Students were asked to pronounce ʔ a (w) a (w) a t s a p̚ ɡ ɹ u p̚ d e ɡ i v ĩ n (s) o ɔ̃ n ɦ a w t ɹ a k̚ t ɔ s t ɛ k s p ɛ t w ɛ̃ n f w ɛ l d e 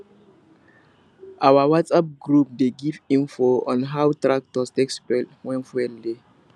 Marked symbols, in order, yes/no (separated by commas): yes, yes, no